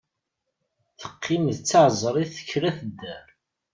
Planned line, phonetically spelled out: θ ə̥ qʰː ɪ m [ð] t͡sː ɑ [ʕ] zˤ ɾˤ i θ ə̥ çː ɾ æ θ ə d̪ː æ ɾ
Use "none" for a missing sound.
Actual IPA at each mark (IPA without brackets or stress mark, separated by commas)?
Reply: ð, ʕ